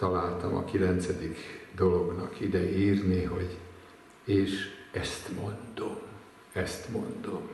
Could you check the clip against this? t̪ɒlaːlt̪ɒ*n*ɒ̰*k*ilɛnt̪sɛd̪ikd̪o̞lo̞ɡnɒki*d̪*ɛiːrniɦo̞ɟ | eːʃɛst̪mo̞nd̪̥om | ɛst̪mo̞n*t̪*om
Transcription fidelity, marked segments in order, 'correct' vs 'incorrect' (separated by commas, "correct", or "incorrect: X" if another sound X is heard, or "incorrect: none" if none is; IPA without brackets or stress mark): incorrect: m, correct, correct, incorrect: d̪